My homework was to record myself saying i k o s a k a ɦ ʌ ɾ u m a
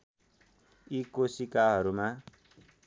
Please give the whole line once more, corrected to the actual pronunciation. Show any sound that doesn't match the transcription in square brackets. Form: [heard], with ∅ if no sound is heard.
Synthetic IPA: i k o s [i] k a ɦ ʌ ɾ u m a

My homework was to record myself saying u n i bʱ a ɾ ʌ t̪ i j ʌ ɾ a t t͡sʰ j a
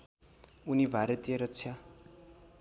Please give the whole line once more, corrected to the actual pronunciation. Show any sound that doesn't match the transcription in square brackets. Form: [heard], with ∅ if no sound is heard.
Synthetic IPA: u n i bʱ a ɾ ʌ t̪ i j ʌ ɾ [ʌ] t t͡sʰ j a

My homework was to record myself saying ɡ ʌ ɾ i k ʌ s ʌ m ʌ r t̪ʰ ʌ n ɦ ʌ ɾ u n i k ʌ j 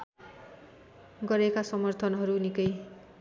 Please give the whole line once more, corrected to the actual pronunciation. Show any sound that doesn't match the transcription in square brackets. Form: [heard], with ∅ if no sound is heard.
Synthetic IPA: ɡ ʌ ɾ [e] k [a] s ʌ m ʌ r t̪ʰ ʌ n ɦ ʌ ɾ u n i k ʌ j

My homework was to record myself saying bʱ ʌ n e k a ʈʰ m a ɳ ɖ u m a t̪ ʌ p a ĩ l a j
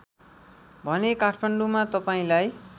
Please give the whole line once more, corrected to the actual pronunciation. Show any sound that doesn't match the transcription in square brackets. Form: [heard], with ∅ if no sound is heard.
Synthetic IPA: bʱ ʌ n e k a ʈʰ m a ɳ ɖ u m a t̪ ʌ p a ĩ l a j

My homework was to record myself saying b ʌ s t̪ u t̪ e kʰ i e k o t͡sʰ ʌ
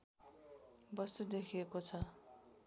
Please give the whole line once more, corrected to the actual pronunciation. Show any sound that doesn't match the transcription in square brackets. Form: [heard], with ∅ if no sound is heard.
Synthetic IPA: b ʌ s t̪ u [d̪] e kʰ i e k o t͡sʰ ʌ

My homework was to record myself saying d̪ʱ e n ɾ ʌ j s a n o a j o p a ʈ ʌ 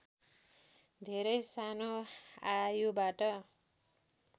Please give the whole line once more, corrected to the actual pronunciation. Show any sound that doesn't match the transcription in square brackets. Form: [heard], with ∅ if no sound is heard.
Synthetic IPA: d̪ʱ e [∅] ɾ ʌ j s a n o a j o [b] a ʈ ʌ

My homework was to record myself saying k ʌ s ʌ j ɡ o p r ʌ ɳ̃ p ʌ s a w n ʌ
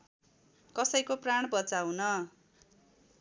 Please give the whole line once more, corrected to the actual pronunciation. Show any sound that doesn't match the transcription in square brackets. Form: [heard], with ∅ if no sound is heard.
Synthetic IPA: k ʌ s ʌ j [k] o p r [a] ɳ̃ [b] ʌ [t͡s] a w n ʌ

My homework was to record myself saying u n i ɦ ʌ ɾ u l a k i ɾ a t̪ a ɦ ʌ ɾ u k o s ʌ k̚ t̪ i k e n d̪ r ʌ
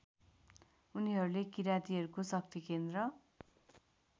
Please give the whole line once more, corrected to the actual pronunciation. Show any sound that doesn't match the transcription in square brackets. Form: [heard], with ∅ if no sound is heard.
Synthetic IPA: u n i ɦ ʌ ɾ u l [e] k i ɾ a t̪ [i] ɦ ʌ ɾ u k o s ʌ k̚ t̪ i k e n d̪ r ʌ

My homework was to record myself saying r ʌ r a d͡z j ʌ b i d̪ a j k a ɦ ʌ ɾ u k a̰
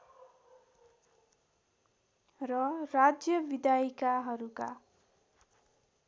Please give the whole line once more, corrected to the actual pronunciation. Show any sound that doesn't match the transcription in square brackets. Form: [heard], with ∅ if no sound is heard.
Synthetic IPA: r ʌ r a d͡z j ʌ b i d̪ a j k a ɦ ʌ ɾ u k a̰

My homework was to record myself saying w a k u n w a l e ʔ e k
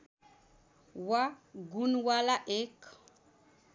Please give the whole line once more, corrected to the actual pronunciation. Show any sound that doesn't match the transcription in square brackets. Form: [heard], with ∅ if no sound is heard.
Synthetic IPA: w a [ɡ] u n w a l [a] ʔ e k

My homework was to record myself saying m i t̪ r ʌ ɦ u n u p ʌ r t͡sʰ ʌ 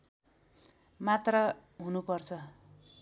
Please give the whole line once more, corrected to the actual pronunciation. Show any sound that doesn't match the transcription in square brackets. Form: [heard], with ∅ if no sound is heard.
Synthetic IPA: m [a] t̪ r ʌ ɦ u n u p ʌ r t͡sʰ ʌ

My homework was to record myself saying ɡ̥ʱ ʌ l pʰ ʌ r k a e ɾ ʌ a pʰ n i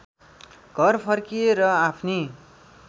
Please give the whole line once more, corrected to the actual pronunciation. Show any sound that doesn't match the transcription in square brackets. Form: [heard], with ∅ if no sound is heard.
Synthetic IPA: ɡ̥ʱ ʌ [r] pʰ ʌ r k [i] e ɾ ʌ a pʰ n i

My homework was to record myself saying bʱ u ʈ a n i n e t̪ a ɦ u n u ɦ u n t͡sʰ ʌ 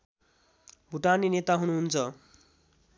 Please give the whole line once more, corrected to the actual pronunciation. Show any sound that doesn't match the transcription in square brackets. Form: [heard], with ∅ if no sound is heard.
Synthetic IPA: bʱ u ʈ a n i n e t̪ a ɦ u n u ɦ u n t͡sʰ ʌ

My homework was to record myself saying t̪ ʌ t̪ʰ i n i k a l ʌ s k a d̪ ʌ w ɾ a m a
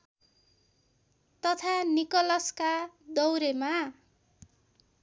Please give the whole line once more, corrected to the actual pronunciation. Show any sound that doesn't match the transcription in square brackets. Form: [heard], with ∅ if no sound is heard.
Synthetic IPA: t̪ ʌ t̪ʰ [a] n i k [ʌ] l ʌ s k a d̪ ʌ w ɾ [e] m a

